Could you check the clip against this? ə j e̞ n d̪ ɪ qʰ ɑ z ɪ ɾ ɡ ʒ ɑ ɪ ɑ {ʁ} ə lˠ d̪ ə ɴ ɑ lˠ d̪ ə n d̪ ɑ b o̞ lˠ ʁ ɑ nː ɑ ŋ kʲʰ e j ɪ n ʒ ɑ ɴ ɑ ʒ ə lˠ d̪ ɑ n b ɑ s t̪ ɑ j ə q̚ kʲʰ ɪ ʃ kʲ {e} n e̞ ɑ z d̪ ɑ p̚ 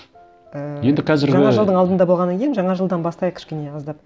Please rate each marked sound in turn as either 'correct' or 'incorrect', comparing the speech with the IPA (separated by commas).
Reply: incorrect, correct